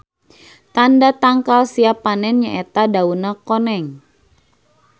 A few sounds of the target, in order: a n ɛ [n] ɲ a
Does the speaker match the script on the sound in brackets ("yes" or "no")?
yes